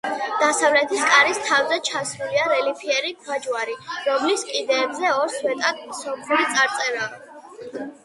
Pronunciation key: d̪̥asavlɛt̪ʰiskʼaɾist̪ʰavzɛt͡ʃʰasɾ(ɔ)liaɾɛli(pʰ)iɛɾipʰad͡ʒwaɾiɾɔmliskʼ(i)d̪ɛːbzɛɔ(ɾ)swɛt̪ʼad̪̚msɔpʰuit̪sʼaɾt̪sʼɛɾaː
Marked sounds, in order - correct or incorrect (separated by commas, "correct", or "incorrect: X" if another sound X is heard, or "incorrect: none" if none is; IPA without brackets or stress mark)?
incorrect: u, correct, correct, correct